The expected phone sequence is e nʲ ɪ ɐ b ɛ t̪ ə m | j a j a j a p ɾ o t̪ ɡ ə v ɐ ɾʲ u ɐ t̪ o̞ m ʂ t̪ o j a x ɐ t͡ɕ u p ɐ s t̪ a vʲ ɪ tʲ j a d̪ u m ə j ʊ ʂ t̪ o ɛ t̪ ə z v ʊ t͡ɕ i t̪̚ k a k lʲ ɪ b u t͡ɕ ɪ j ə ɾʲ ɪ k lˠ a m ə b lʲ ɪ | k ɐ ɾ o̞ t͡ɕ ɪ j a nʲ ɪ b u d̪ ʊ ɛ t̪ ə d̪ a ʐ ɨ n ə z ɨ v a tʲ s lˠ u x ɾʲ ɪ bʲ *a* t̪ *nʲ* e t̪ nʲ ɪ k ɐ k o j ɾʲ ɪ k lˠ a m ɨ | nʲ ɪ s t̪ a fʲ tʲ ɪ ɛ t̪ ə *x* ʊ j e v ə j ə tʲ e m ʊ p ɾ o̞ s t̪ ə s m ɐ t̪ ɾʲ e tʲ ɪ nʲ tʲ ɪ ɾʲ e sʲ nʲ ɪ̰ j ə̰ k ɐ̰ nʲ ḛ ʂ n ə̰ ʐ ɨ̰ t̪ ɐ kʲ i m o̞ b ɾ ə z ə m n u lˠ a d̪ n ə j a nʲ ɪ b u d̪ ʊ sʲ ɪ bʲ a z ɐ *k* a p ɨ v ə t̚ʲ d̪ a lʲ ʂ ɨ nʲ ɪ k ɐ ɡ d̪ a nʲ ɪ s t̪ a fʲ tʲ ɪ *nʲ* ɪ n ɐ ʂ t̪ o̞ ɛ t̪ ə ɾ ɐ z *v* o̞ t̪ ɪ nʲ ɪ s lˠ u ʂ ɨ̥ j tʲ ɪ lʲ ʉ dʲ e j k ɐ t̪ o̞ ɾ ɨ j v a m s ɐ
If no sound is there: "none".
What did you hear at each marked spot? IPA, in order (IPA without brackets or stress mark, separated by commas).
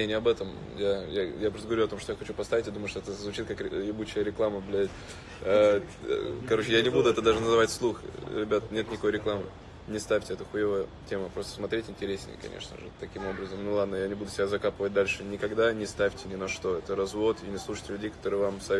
a, nʲ, x, k, nʲ, v